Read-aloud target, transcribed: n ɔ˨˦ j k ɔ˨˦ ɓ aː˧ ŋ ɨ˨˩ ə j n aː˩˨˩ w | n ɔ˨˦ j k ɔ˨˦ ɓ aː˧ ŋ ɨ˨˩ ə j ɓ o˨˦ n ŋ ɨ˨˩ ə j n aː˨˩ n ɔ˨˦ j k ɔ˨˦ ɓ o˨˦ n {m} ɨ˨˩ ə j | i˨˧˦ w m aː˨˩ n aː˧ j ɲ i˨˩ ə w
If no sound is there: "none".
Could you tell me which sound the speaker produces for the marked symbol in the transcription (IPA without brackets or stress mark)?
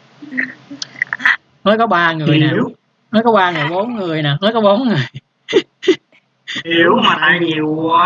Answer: ŋ